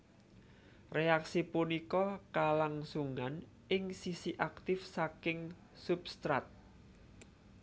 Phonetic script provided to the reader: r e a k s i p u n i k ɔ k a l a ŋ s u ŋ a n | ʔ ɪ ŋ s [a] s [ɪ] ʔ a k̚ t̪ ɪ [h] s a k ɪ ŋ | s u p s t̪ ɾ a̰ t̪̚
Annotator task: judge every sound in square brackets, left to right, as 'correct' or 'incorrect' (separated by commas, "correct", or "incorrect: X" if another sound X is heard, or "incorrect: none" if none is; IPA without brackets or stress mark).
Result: incorrect: i, incorrect: i, incorrect: f